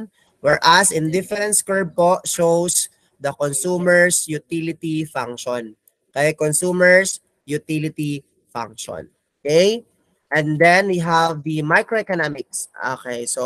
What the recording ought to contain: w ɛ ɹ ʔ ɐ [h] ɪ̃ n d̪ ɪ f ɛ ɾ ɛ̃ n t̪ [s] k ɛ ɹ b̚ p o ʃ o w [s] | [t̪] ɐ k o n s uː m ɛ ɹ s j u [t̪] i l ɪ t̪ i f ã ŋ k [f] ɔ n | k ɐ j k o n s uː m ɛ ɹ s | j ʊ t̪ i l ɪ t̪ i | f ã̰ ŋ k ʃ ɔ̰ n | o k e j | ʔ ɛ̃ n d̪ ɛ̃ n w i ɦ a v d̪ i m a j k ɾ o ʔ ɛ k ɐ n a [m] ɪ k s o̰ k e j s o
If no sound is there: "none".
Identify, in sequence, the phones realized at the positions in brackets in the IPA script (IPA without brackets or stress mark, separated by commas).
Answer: s, s, s, d̪, t̪, ʃ, m